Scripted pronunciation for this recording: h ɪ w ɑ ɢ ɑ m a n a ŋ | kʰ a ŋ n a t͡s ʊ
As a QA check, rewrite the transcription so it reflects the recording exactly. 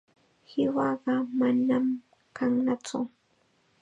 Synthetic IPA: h ɪ w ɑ ɢ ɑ m a n a m | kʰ a ŋ n a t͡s ʊ